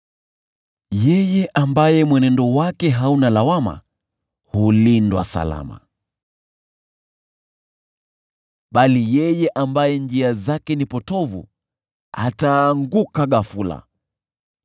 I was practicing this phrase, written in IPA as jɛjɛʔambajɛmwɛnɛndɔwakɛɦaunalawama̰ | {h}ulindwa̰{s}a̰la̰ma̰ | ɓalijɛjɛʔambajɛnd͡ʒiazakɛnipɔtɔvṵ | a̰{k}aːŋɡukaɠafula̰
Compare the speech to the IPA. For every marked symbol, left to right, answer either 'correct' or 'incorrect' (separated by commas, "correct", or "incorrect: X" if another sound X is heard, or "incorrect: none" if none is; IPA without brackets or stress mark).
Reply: correct, correct, incorrect: t